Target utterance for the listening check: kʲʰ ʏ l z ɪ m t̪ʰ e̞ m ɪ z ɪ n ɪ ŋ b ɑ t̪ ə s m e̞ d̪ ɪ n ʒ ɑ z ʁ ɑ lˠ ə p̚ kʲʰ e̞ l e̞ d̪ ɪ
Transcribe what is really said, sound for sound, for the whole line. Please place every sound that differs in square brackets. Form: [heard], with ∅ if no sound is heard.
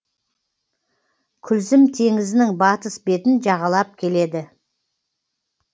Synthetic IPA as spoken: kʲʰ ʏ l z ɪ m t̪ʰ e̞ [ŋ] ɪ z ɪ n ɪ ŋ b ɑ t̪ ə s [b] e̞ [t̪] ɪ n ʒ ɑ [∅] ʁ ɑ lˠ [ɑ] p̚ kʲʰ e̞ l e̞ d̪ ɪ